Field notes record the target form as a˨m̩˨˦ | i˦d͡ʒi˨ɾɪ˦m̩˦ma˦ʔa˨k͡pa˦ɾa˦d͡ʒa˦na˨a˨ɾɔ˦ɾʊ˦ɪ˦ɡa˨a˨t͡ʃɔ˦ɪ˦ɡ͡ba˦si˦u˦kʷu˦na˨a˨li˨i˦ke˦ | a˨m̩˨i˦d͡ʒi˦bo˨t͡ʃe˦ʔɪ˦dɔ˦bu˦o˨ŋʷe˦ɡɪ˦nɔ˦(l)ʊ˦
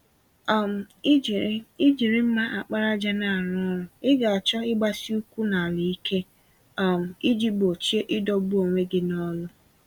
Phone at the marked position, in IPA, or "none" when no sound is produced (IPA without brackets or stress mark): l